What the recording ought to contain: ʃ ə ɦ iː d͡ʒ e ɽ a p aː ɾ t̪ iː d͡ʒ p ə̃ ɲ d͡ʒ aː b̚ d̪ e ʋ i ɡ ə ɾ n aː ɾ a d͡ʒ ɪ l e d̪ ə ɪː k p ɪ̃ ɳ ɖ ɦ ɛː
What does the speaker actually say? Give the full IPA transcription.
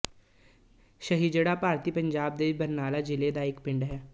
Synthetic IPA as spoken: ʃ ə ɦ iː d͡ʒ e ɽ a p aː ɾ t̪ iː p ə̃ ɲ d͡ʒ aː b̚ d̪ e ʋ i b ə ɾ n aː l a d͡ʒ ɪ l e d̪ a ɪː k p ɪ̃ ɳ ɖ ɦ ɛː